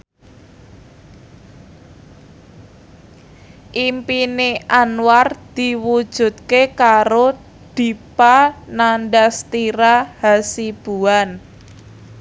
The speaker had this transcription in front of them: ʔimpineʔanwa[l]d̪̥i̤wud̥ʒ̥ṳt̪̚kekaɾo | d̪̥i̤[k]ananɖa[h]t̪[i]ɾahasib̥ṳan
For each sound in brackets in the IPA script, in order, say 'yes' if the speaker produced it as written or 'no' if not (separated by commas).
no, no, no, yes